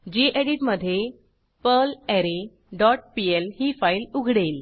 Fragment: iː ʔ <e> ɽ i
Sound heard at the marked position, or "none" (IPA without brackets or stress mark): e